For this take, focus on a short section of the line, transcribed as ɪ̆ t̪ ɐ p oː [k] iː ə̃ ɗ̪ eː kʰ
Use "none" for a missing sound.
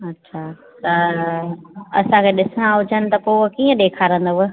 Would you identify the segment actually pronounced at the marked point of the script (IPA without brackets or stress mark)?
k